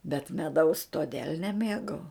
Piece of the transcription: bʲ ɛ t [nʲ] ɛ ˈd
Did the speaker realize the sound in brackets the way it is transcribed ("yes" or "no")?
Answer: no